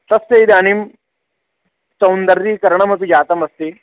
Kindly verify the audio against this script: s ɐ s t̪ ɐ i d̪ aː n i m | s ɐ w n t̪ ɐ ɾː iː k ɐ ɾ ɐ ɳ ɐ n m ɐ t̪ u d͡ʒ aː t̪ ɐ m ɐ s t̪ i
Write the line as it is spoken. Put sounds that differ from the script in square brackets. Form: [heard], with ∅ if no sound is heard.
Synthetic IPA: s ɐ s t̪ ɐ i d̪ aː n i m | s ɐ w n [d̪] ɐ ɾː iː k ɐ ɾ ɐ ɳ ɐ [∅] m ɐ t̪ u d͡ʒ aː t̪ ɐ m ɐ s t̪ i